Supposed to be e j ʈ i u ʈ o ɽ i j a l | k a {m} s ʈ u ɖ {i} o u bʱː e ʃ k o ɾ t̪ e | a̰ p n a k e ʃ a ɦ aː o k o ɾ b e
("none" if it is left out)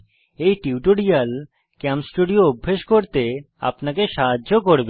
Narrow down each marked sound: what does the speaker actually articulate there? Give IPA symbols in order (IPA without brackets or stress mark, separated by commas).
m, i